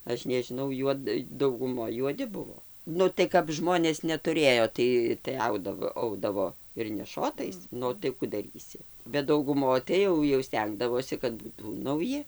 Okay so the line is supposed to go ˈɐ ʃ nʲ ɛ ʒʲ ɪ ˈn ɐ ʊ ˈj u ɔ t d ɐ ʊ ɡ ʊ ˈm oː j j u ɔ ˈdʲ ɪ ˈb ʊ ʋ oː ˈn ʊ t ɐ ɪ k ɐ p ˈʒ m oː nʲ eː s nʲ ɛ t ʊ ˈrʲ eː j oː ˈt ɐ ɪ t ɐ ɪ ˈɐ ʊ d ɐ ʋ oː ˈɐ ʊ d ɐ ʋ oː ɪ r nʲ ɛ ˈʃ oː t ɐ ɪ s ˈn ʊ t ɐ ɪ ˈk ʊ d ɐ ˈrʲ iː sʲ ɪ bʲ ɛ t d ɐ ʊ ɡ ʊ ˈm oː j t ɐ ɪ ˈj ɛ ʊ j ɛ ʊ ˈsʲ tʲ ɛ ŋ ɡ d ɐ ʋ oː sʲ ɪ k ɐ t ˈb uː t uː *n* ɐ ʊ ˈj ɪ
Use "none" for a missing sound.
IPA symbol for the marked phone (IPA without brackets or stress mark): n